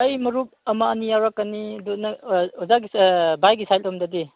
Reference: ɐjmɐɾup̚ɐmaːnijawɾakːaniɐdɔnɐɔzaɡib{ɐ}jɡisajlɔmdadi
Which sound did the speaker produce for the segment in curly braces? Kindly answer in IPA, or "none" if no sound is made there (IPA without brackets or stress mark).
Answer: a